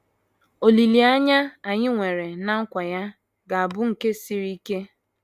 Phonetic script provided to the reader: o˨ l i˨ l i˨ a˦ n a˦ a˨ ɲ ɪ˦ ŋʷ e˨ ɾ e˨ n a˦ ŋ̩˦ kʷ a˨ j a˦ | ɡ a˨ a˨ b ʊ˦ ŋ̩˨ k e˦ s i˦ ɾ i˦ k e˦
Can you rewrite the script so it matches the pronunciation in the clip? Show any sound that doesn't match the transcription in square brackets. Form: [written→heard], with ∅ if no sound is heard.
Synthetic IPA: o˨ l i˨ l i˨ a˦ [n→ɲ] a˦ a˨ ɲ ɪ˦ ŋʷ e˨ ɾ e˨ n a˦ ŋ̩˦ kʷ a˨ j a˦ | ɡ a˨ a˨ b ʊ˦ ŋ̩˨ k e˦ s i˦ ɾ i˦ k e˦